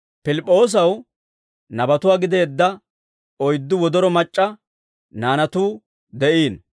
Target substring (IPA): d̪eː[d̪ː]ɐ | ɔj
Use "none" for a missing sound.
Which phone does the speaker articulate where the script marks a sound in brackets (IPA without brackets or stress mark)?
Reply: d̪ː